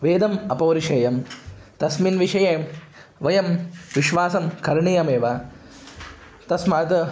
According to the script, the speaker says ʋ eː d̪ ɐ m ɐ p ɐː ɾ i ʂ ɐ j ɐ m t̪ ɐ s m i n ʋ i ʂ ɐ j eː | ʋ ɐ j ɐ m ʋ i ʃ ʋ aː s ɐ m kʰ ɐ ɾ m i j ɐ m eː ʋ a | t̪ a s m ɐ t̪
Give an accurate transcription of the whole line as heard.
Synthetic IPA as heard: ʋ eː d̪ ɐ m ɐ p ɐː ɾ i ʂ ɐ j ɐ m t̪ ɐ s m i n ʋ i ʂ ɐ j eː | ʋ ɐ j ɐ m ʋ i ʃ ʋ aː s ɐ m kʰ ɐ ɾ ɳ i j ɐ m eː ʋ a | t̪ ɐ s m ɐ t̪